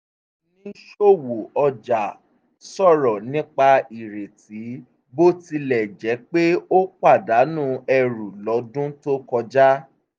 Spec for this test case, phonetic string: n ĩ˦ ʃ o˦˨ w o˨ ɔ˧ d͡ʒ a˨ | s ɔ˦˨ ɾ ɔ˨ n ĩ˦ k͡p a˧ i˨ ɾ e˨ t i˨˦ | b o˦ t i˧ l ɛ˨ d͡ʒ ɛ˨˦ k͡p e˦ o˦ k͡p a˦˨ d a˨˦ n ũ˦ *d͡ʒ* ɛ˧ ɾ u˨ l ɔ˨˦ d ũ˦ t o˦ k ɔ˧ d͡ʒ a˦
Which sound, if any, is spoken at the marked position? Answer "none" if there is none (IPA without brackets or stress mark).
none